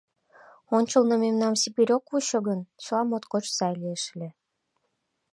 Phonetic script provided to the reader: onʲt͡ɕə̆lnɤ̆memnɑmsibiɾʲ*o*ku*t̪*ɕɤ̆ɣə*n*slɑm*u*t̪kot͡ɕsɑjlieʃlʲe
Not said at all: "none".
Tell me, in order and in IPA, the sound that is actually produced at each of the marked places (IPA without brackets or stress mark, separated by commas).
o, none, n, o